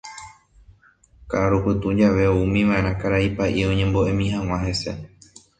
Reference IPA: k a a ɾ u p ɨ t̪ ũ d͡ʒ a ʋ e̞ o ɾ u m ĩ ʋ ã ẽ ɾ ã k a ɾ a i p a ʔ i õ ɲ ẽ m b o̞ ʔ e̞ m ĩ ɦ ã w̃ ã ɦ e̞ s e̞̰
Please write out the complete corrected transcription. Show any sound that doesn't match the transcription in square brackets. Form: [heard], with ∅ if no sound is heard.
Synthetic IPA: k a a ɾ u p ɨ t̪ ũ d͡ʒ a ʋ e̞ o [∅] u m ĩ ʋ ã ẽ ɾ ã k a ɾ a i p a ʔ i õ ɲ ẽ m b o̞ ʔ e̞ m ĩ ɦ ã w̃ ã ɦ e̞ s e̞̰

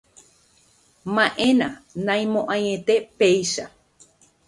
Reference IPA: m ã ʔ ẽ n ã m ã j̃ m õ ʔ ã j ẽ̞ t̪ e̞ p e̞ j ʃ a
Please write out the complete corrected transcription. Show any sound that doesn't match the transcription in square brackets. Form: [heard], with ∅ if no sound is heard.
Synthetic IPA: m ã ʔ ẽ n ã [n] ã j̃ m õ ʔ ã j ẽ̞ t̪ e̞ p e̞ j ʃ a

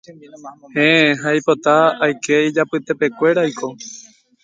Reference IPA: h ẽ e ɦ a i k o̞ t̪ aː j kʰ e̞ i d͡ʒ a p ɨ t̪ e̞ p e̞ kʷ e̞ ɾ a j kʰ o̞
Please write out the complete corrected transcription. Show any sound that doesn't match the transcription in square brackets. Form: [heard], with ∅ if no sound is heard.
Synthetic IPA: h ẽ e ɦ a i [p] o̞ t̪ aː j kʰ e̞ i d͡ʒ a p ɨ t̪ e̞ p e̞ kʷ e̞ ɾ a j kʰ o̞

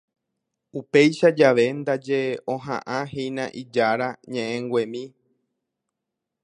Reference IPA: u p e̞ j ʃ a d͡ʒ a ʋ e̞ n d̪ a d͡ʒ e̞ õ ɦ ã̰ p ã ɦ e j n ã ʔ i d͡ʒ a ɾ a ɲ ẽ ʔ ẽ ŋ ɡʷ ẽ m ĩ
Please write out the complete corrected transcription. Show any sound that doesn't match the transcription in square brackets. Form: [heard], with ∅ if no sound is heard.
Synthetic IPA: u p e̞ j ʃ a d͡ʒ a ʋ e̞ n d̪ a d͡ʒ e̞ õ ɦ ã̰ [ʔ] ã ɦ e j n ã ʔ i d͡ʒ a ɾ a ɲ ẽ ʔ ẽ ŋ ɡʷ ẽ m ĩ

